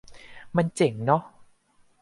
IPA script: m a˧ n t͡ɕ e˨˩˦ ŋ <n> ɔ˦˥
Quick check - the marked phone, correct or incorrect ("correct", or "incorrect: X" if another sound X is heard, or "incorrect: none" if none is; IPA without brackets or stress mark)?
correct